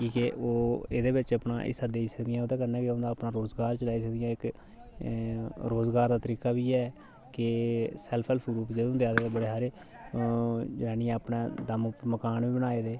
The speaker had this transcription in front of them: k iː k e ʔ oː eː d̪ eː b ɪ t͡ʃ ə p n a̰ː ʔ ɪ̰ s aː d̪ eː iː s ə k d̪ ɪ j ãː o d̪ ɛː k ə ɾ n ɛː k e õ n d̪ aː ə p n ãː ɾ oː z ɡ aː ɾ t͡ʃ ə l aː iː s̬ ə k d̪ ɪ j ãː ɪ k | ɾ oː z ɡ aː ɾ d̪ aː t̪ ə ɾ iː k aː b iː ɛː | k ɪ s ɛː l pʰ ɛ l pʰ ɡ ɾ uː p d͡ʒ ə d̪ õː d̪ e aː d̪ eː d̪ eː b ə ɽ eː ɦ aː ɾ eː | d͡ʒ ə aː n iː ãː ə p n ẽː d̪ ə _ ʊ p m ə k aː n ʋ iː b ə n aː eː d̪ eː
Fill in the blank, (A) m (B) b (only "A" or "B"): A